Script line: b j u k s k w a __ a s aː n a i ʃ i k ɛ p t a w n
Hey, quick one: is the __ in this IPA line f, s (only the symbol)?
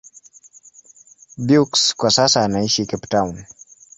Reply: s